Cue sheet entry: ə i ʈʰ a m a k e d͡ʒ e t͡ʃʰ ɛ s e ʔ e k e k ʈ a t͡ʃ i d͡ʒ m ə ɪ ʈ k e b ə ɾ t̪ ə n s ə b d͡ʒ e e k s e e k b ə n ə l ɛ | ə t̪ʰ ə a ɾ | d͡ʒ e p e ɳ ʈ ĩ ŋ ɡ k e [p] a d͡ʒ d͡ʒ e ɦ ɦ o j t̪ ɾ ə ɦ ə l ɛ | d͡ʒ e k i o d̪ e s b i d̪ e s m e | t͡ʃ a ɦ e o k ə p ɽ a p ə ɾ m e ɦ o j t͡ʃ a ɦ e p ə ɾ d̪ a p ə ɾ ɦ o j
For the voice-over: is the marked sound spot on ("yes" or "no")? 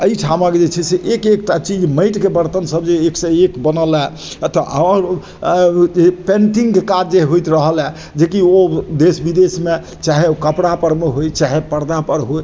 no